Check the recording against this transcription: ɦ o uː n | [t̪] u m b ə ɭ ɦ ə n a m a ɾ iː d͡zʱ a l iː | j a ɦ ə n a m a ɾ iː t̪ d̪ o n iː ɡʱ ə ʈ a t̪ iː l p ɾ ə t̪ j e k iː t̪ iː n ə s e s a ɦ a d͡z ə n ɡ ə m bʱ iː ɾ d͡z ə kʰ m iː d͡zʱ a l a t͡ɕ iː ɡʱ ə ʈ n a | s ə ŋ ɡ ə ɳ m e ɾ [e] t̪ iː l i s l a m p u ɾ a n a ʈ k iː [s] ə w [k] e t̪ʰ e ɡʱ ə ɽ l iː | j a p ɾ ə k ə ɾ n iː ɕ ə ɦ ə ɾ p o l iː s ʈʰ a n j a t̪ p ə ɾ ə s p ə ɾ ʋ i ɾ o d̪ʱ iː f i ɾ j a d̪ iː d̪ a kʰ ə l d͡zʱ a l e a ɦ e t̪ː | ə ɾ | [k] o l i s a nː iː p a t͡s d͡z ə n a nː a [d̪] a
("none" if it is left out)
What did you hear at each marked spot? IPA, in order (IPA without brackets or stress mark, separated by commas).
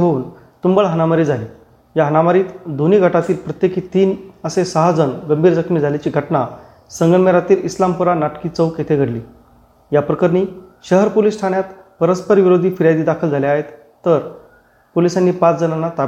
t̪, a, t͡s, k, p, t̪